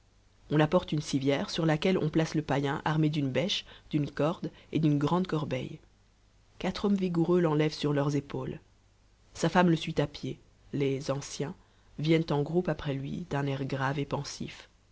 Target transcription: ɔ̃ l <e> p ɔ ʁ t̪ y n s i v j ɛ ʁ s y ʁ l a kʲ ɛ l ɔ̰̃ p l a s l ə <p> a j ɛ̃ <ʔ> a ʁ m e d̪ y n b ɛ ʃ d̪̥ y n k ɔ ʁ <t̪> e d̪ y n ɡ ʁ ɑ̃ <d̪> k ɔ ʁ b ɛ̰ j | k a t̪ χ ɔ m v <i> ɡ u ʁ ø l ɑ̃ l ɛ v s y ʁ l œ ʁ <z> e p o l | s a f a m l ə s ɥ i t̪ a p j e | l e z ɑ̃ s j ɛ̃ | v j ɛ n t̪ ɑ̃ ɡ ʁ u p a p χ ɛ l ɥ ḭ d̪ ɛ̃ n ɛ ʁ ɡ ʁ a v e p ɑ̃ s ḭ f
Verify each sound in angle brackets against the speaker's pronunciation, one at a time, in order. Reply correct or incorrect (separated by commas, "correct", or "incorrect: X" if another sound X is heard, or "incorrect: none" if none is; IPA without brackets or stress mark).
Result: incorrect: a, correct, correct, incorrect: d̪, correct, correct, correct